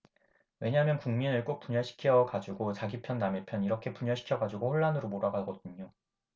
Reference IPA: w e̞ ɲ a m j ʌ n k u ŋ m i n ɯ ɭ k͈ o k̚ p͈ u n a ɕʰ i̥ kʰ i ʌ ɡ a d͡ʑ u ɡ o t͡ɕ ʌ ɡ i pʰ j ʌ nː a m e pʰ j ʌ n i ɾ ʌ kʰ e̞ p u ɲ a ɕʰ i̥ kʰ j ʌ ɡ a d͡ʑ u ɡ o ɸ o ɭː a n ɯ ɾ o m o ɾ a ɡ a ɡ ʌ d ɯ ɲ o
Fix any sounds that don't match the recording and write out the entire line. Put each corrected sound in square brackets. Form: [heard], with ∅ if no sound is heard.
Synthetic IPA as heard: w e̞ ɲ a m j ʌ n k u ŋ m i n ɯ ɭ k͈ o k̚ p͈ u [ɲ] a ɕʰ i̥ kʰ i ʌ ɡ a d͡ʑ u ɡ o t͡ɕ [a] ɡ i pʰ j ʌ nː a m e pʰ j ʌ n i ɾ ʌ kʰ e̞ p u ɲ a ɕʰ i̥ kʰ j ʌ ɡ a d͡ʑ u ɡ o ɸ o ɭː a n ɯ ɾ o m o ɾ a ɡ a ɡ ʌ d ɯ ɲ o